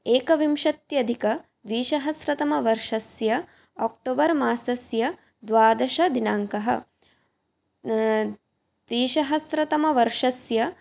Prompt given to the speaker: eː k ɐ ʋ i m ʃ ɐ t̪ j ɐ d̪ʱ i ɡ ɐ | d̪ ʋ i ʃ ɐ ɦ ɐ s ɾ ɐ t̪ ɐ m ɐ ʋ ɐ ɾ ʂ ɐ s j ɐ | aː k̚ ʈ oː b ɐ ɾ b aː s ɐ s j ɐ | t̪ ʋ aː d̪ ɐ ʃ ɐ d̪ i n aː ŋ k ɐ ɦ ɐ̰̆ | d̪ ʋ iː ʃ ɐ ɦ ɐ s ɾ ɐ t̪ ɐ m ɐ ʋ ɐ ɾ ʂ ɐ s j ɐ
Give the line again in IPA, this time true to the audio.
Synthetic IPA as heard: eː k ɐ ʋ i m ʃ ɐ t̪ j ɐ d̪ʱ i k ɐ | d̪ ʋ iː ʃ ɐ ɦ ɐ s ɾ ɐ t̪ ɐ m ɐ ʋ ɐ ɾ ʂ ɐ s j ɐ | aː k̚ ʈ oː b ɐ ɾ m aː s ɐ s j ɐ | d̪ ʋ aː d̪ ɐ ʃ ɐ d̪ i n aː ŋ k ɐ ɦ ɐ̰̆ | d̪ ʋ iː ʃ ɐ ɦ ɐ s ɾ ɐ t̪ ɐ m ɐ ʋ ɐ ɾ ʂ ɐ s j ɐ